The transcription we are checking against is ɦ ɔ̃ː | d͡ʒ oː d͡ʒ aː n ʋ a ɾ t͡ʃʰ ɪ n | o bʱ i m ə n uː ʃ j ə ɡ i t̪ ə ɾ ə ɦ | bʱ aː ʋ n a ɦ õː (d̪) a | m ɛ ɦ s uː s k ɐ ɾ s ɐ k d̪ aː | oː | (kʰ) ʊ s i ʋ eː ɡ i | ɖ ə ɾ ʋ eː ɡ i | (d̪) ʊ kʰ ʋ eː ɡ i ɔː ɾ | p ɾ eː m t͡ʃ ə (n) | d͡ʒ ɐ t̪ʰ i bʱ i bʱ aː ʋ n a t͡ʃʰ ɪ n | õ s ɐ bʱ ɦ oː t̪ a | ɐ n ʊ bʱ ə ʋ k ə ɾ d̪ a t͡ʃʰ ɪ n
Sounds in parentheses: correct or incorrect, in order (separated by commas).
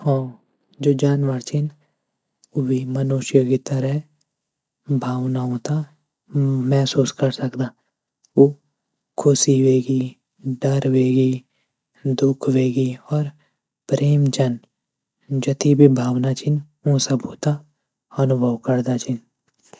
incorrect, correct, correct, correct